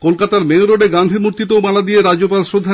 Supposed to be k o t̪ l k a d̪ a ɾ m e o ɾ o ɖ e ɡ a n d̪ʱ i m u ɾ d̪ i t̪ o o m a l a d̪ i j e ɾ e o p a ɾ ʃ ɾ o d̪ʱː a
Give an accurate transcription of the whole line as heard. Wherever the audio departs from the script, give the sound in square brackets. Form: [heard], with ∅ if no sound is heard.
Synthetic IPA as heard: k o [∅] l k a [t̪] a ɾ m e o ɾ o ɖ e ɡ a n d̪ʱ i m u ɾ [t̪] i t̪ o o m a l a d̪ i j e ɾ [a] o p a [l] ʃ ɾ o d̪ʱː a